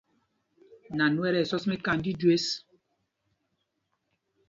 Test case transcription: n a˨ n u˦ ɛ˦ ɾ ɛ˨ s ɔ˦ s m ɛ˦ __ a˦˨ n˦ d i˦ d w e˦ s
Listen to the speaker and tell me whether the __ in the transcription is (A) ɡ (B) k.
B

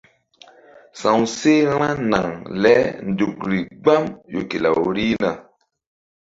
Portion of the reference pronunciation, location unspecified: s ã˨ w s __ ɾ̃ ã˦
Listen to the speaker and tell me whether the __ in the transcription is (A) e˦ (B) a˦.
A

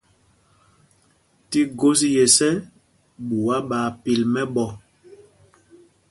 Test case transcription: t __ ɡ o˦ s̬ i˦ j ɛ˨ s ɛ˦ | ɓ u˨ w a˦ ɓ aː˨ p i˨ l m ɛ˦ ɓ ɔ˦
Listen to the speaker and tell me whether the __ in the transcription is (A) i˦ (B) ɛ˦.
A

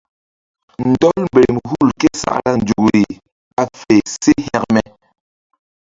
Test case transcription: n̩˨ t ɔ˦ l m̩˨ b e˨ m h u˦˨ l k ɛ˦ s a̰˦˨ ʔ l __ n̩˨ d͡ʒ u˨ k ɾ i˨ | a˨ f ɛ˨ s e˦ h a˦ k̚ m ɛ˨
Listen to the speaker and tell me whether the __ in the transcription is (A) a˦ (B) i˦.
A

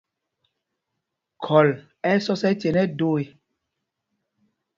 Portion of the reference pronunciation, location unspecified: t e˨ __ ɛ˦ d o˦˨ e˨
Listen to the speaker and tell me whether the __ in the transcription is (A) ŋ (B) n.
B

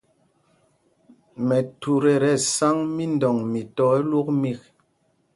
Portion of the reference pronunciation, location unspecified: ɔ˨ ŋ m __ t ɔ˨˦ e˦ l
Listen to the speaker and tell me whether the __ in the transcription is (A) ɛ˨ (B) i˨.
B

